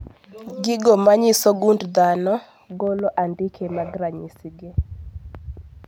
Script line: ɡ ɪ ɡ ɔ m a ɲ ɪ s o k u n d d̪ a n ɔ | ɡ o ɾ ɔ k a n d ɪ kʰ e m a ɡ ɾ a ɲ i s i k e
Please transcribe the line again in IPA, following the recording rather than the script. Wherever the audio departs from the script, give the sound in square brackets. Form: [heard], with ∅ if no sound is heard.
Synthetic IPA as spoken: ɡ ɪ ɡ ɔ m a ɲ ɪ s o [ɡ] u n d d̪ a n ɔ | ɡ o [l] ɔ [ʔ] a n d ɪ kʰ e m a ɡ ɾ a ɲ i s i [ɡ] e